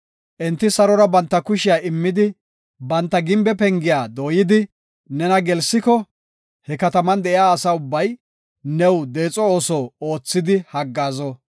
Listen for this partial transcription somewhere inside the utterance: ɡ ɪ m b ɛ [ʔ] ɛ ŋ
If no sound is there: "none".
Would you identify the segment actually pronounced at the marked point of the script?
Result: p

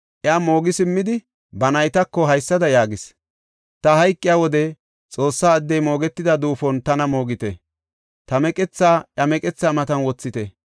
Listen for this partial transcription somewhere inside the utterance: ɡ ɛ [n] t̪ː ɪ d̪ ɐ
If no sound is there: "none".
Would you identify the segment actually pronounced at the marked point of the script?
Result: none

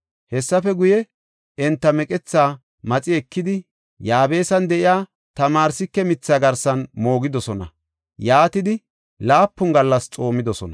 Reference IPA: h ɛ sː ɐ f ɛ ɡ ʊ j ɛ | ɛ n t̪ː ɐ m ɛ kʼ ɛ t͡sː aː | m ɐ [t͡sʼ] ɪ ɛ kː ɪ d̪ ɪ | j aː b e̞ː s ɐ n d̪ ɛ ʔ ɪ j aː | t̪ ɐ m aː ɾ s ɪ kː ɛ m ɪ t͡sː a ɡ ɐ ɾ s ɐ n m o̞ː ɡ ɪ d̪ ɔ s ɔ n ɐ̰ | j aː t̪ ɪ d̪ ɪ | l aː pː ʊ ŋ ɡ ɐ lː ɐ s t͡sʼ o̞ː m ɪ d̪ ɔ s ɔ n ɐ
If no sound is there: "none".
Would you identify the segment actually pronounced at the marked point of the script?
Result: t͡sʼ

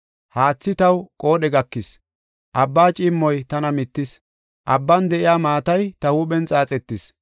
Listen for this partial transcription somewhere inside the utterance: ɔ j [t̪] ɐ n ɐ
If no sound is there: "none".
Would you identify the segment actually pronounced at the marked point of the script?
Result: t̪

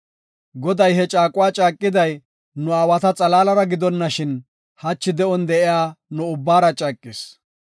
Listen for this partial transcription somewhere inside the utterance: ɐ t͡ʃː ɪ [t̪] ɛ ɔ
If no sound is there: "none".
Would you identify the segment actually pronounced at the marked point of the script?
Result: d̪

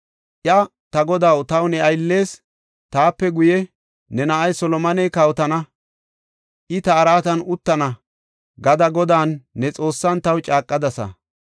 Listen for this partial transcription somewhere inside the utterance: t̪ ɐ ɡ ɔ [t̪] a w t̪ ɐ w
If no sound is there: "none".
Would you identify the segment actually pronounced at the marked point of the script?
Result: d̪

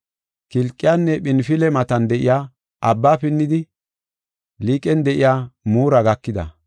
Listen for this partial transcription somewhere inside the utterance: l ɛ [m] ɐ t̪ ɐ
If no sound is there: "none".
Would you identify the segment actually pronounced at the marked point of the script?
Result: m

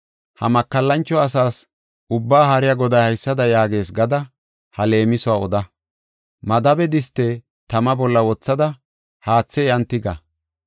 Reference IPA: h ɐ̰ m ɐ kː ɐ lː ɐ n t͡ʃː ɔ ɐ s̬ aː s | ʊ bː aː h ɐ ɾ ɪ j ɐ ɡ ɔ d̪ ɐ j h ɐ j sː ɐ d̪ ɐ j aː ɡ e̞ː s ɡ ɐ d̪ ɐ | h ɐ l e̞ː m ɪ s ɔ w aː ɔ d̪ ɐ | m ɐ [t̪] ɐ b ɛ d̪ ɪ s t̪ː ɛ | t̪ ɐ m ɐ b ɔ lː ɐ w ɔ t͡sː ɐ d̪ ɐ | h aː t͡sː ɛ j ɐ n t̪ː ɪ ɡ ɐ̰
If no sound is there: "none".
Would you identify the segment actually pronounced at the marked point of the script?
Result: d̪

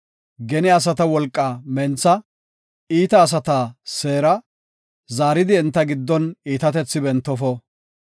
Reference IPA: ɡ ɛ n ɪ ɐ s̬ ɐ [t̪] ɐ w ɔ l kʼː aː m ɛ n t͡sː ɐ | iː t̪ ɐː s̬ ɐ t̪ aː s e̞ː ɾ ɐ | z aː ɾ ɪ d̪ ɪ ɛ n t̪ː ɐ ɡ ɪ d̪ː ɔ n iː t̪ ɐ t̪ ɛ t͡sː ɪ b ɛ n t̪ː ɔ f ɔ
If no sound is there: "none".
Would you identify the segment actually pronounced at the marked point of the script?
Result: t̪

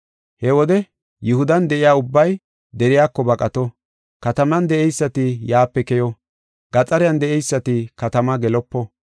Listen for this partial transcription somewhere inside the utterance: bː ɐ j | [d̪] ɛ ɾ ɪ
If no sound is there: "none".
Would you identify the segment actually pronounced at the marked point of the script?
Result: d̪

